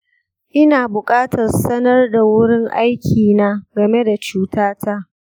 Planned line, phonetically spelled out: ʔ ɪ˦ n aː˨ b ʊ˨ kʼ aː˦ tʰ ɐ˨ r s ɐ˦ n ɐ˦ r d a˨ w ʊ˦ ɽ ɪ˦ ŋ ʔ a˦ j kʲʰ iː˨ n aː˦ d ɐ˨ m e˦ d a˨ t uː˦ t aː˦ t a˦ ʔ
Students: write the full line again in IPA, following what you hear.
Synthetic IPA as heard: ʔ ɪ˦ n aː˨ b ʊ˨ kʼ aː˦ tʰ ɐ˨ r s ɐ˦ n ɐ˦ r d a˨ w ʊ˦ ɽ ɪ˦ ŋ ʔ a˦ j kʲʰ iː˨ n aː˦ ɡ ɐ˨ m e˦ d a˨ t͡ʃ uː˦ t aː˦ t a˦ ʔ